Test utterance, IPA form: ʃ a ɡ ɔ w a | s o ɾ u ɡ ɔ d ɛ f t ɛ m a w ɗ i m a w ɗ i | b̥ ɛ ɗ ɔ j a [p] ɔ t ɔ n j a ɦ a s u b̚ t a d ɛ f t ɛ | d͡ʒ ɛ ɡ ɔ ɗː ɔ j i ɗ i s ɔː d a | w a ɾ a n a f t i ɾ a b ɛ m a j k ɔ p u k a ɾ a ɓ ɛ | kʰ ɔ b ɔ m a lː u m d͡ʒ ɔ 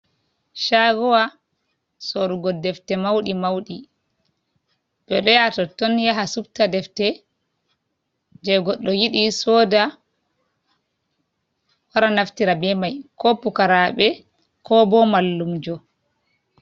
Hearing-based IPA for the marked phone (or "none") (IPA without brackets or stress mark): t